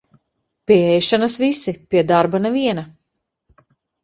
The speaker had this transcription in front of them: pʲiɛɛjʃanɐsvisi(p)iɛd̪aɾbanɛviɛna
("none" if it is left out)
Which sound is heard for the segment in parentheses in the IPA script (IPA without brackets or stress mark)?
p